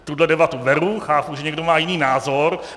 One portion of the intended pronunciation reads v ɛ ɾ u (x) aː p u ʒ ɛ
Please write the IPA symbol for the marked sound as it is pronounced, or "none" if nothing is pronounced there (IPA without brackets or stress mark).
x